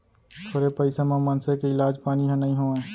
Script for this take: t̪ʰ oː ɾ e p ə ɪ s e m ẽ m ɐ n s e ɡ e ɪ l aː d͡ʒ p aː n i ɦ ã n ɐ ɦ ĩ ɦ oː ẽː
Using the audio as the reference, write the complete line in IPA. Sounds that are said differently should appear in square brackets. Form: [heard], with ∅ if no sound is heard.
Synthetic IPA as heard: t̪ʰ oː ɾ e p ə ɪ s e m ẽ m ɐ n s e [k] e ɪ l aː d͡ʒ p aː n i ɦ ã n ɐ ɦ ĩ ɦ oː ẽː